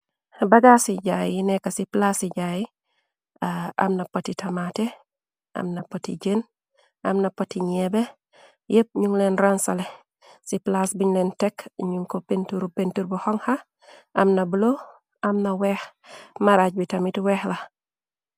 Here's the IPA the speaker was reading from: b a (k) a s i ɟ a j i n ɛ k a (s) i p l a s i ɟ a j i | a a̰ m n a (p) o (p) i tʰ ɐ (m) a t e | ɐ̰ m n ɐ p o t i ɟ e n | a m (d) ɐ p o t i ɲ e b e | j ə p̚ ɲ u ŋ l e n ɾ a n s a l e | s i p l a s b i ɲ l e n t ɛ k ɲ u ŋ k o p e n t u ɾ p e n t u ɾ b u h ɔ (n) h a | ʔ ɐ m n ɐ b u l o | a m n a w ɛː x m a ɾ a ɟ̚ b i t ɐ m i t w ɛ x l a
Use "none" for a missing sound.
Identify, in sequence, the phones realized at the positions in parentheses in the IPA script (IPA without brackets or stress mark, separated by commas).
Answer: ɡ, s, p, t, m, n, ŋ